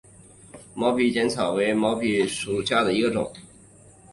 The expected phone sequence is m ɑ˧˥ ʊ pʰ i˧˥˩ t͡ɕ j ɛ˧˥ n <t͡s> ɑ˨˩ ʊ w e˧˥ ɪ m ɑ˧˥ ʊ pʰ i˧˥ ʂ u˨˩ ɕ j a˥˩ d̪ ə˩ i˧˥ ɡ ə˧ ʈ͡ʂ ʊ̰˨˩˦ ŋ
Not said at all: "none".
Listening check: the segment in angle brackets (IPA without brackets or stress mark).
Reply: t͡sʰ